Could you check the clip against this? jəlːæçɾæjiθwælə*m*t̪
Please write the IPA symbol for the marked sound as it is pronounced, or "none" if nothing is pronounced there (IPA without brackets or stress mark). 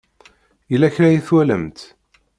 m